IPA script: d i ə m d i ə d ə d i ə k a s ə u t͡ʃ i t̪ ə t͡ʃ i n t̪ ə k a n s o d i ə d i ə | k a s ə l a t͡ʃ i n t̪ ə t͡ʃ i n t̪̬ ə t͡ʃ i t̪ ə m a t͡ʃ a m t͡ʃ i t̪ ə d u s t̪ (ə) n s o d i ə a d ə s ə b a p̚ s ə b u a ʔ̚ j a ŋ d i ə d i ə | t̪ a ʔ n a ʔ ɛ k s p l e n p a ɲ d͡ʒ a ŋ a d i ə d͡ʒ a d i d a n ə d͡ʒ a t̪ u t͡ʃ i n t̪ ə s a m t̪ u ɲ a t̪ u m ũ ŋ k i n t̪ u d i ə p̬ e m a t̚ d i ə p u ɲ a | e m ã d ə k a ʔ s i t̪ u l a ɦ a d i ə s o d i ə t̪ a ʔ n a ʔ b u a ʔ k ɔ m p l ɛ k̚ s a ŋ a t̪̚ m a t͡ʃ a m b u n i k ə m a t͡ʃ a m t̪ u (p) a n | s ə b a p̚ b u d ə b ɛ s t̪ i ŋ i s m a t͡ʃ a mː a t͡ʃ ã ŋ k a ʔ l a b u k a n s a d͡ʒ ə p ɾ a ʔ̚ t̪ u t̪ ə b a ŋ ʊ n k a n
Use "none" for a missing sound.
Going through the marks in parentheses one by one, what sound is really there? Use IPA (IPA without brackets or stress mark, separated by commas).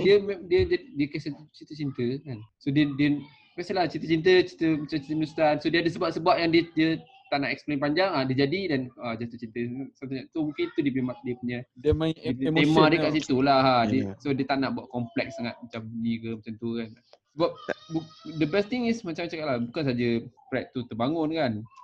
a, k